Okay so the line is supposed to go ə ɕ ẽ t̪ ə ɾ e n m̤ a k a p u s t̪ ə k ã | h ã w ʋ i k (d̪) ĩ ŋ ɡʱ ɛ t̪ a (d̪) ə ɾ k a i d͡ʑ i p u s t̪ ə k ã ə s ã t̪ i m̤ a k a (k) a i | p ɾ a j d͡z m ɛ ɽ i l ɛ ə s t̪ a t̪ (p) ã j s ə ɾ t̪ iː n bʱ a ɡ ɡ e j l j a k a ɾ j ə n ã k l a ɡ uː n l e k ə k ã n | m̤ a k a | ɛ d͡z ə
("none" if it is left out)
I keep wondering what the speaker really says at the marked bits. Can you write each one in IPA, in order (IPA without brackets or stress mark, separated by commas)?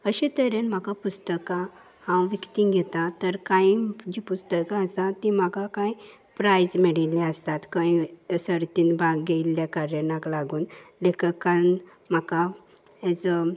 t̪, t̪, k, k